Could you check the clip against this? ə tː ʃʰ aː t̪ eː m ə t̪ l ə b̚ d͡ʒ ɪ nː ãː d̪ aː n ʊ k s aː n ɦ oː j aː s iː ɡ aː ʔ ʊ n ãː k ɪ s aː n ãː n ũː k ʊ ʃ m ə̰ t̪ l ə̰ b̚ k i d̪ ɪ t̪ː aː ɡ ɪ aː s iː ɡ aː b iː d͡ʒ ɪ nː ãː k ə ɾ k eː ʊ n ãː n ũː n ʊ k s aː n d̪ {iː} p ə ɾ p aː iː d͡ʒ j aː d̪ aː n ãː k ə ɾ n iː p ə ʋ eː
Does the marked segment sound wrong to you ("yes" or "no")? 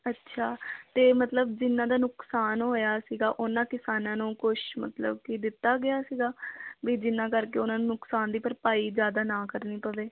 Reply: no